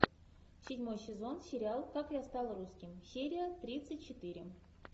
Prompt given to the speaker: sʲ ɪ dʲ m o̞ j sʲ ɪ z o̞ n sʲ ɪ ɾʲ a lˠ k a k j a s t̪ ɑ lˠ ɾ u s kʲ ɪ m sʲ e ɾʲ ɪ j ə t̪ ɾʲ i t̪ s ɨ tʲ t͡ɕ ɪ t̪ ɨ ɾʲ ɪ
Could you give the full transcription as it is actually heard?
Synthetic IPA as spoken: sʲ ɪ dʲ m o̞ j sʲ ɪ z o̞ n sʲ ɪ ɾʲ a lˠ k a k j a s t̪ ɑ lˠ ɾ u s kʲ ɪ m sʲ e ɾʲ ɪ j ə t̪ ɾʲ i t̪ s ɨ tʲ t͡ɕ ɪ t̪ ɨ ɾʲ ɪ